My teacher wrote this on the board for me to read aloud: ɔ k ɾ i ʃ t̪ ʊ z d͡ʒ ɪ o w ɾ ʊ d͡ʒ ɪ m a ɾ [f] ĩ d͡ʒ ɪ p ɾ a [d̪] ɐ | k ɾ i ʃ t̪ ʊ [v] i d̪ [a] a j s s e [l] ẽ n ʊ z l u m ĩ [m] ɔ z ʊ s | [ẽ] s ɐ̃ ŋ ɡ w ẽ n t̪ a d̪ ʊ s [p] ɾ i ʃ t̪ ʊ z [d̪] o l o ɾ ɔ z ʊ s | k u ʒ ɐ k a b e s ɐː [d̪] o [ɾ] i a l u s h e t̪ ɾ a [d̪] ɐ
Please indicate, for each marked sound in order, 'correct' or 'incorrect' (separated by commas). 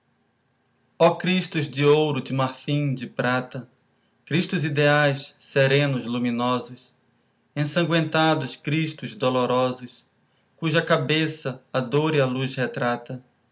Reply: correct, incorrect, incorrect, incorrect, incorrect, incorrect, correct, incorrect, correct, correct, correct, incorrect